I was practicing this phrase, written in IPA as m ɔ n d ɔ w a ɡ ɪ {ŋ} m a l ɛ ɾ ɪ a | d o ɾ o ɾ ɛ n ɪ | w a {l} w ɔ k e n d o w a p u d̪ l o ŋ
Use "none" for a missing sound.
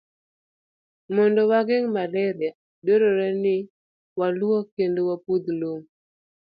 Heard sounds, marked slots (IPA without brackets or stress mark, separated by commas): ŋ, l